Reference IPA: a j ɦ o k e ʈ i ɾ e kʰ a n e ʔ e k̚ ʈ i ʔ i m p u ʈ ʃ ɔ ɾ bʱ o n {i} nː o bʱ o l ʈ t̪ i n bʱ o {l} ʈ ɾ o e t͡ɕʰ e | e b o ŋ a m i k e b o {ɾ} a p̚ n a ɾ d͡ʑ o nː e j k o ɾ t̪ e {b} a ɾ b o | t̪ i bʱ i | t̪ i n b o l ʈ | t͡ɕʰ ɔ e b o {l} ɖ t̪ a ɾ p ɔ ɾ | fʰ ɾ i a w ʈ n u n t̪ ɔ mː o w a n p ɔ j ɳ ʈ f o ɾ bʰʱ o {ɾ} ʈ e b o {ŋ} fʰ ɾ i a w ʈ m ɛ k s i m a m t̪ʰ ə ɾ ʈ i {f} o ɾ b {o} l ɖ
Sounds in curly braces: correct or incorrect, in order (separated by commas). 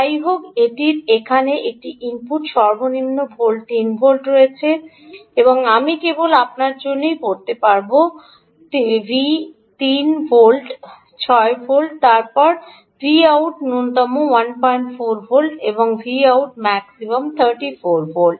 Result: correct, correct, incorrect, incorrect, correct, incorrect, correct, correct, correct